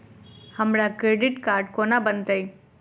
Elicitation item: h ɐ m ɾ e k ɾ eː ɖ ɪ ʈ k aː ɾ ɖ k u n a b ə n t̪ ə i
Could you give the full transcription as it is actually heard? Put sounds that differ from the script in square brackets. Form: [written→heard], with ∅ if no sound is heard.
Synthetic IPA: h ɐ m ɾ [e→a] k ɾ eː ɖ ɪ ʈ k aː ɾ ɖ k [u→o] n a b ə n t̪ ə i